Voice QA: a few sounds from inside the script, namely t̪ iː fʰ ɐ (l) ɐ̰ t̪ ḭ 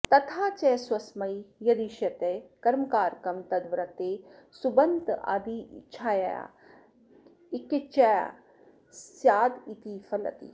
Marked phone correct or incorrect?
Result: correct